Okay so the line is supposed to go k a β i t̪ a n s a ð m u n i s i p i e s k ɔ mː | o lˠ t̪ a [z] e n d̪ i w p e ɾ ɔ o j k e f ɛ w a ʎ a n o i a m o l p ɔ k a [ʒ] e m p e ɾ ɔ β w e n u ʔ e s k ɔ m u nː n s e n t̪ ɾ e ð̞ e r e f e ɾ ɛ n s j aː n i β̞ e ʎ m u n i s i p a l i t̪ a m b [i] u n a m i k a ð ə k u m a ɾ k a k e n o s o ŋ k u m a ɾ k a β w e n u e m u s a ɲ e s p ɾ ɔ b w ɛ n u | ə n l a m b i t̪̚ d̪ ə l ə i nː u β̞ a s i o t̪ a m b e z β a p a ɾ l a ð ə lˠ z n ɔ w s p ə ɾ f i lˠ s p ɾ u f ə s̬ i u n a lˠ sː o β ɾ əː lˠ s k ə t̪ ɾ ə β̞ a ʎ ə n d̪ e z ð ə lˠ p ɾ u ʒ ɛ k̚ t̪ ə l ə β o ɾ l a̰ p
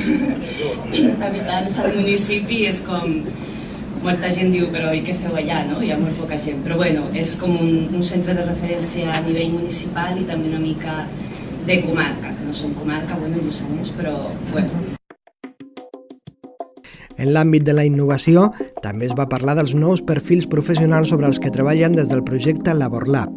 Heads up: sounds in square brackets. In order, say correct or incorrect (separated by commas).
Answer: incorrect, correct, incorrect